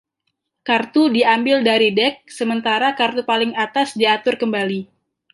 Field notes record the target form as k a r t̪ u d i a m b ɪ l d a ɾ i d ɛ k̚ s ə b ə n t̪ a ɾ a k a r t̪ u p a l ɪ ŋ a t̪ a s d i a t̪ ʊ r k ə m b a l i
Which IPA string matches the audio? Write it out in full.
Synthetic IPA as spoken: k a r t̪ u d i a m b ɪ l d a ɾ i d ɛ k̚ s ə m ə n t̪ a ɾ a k a r t̪ u p a l ɪ ŋ a t̪ a s d i a t̪ ʊ r k ə m b a l i

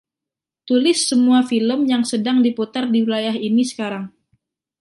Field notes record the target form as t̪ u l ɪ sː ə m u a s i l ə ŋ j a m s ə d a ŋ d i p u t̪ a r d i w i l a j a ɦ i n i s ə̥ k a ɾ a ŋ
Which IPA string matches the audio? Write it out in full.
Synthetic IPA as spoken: t̪ u l ɪ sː ə m u a f i l ə m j a ŋ s ə d a ŋ d i p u t̪ a r d i w i l a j a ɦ i n i s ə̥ k a ɾ a ŋ

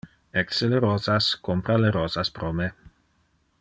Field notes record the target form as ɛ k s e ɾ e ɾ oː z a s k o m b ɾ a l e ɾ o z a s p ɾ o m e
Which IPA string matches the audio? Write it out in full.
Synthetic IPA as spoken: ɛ k s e l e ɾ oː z a s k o m p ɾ a l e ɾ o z a s p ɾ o m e

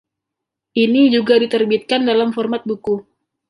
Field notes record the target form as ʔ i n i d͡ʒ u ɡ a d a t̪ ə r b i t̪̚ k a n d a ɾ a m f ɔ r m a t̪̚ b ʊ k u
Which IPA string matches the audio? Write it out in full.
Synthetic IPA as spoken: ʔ i n i d͡ʒ u ɡ a d i t̪ ə r b i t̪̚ k a n d a l a m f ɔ r m a t̪̚ b u k u

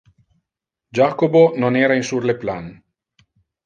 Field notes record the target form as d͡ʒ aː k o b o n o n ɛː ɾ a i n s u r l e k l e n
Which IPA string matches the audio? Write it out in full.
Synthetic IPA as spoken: d͡ʒ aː k o b o n o n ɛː ɾ a i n s u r l e p l a n

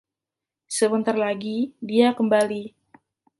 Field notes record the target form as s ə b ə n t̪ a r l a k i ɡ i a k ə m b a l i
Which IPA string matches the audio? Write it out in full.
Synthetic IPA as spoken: s ə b ə n t̪ a r l a ɡ i d i a k ə m b a l i

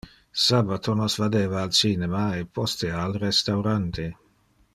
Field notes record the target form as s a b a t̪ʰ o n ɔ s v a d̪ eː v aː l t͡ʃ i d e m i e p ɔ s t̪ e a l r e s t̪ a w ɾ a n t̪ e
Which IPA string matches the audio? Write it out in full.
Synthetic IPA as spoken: s a b a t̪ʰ o n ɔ s v a d̪ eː v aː l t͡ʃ i n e m a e p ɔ s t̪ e a l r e s t̪ a w ɾ a n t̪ e

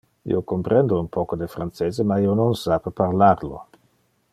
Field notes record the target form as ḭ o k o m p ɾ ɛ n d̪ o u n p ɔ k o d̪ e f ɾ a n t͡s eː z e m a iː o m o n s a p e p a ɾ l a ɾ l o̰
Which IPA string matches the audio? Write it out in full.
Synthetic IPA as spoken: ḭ o k o m p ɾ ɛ n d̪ o u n p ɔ k o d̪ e f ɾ a n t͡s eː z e m a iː o n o n s a p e p a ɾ l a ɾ l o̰

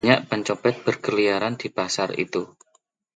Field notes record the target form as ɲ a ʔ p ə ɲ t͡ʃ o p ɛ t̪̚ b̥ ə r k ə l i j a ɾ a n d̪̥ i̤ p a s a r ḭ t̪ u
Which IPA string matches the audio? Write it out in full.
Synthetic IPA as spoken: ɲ a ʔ p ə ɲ t͡ʃ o p ɛ t̪̚ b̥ ə r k ə l i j a ɾ a n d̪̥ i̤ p a s a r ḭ t̪ u

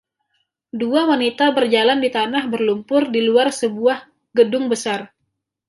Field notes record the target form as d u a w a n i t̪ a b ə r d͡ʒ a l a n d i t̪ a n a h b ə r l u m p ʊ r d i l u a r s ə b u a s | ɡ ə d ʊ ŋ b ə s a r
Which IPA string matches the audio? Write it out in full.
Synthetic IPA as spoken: d u a w a n i t̪ a b ə r d͡ʒ a l a n d i t̪ a n a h b ə r l u m p ʊ r d i l u a r s ə b u a h | ɡ ə d ʊ ŋ b ə s a r

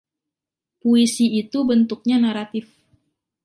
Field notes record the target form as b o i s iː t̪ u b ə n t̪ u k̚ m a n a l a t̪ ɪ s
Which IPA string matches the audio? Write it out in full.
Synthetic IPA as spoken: p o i s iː t̪ u b ə n t̪ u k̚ ɲ a n a ɾ a t̪ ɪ f

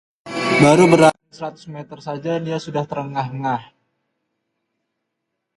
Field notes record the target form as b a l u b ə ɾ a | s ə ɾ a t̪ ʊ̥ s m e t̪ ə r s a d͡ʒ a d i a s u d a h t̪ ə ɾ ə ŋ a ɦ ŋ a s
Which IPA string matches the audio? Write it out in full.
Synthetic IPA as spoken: b a ɾ u b ə ɾ a | s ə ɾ a t̪ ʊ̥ s m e t̪ ə r s a d͡ʒ a d i a s u d a h t̪ ə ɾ ə ŋ a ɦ ŋ a h

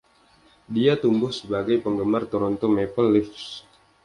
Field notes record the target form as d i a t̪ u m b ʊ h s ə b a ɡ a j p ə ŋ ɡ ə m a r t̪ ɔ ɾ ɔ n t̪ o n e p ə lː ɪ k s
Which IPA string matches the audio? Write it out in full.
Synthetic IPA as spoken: d i a t̪ u m b ʊ h s ə b a ɡ a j p ə ŋ ɡ ə m a r t̪ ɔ ɾ ɔ n t̪ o m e p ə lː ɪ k s

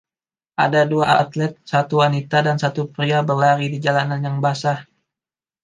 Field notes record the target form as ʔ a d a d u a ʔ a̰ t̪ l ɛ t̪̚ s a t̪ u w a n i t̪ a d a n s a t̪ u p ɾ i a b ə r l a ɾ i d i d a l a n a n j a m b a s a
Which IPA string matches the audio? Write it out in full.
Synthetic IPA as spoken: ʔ a d a d u a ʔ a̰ t̪ l ɛ t̪̚ s a t̪ u w a n i t̪ a d a n s a t̪ u p ɾ i a b ə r l a ɾ i d i d͡ʒ a l a n a n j a ŋ b a s a

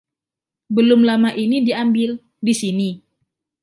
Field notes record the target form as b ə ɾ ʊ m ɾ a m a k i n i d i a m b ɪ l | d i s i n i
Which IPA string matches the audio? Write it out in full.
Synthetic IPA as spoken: b ə l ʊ m l a m a ʔ i n i d i a m b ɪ l | d i s i n i

